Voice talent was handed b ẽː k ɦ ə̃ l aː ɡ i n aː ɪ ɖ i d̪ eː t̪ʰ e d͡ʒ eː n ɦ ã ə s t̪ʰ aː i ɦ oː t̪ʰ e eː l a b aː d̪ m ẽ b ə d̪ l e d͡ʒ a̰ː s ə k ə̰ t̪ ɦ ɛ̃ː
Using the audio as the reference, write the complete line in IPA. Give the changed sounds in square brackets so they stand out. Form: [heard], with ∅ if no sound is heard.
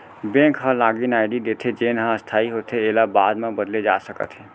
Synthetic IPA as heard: b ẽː k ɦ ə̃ l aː ɡ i n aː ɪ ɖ i d̪ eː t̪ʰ e d͡ʒ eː n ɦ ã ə s t̪ʰ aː i ɦ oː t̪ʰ e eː l a b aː d̪ m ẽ b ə d̪ l e d͡ʒ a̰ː s ə k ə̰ t̪ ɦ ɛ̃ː